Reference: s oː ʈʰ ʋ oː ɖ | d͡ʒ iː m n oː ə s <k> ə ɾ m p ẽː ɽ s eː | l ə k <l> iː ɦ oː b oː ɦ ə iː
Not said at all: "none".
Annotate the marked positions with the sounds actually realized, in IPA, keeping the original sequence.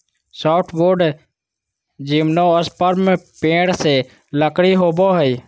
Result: p, ɽ

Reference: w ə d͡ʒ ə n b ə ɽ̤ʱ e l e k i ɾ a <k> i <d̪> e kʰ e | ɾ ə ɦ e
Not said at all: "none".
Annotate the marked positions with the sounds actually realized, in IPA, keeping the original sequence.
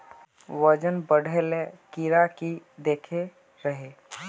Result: k, d̪

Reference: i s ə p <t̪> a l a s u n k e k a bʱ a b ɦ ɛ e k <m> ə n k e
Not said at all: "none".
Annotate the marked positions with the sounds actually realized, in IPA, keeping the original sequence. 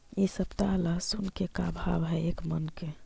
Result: t̪, m

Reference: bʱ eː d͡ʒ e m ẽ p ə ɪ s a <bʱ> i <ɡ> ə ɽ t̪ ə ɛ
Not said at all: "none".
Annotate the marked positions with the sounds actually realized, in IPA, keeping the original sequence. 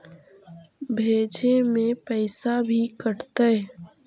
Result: bʱ, k

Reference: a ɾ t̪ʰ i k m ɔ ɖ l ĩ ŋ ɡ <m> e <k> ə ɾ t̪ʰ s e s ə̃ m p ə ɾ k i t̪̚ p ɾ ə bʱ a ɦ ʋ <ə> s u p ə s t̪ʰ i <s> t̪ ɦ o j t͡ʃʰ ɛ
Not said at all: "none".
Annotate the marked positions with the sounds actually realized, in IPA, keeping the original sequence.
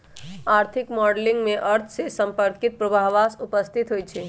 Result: m, ʔ, a, none

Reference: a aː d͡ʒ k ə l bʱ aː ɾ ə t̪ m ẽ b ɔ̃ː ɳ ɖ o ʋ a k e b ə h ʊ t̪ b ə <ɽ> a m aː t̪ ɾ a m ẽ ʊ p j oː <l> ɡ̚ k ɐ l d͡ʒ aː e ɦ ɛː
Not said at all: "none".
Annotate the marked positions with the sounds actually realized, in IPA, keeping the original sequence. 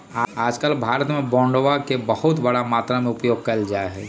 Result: ɽ, none

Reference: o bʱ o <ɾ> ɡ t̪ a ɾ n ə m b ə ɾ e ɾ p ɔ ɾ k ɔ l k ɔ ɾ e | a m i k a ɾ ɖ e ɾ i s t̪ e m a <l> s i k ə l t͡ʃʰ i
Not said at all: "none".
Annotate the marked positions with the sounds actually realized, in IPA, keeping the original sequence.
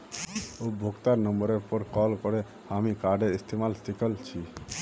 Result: none, l

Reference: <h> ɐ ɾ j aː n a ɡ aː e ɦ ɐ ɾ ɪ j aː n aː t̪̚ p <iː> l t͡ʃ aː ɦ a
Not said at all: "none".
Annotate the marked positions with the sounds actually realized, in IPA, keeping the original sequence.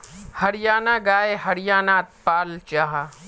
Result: h, aː

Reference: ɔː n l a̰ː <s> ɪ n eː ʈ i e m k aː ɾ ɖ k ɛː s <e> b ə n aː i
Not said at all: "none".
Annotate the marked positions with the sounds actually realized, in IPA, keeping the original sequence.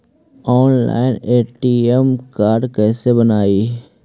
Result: none, e

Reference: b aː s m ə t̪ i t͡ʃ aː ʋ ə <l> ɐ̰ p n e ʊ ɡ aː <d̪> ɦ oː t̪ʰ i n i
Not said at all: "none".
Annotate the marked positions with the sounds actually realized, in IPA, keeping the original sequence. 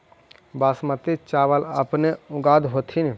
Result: l, d̪

